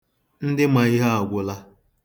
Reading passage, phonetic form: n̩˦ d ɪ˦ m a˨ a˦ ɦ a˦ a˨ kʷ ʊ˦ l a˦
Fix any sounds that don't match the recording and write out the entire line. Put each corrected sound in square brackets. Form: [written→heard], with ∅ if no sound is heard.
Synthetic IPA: n̩˦ d ɪ˦ m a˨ [a˦→i˦] ɦ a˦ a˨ [kʷ→ɡʷ] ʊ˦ l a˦